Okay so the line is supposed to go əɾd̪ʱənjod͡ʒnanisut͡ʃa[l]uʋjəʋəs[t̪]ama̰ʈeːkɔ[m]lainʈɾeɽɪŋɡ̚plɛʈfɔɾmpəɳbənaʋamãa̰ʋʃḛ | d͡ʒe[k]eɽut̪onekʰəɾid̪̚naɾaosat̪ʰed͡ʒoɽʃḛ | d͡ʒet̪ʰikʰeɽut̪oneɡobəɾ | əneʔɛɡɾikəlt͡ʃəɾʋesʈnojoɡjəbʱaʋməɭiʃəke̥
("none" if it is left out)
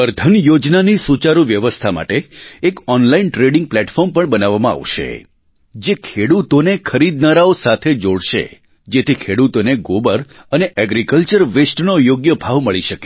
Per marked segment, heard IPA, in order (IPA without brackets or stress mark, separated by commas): ɾ, t̪ʰ, n, kʰ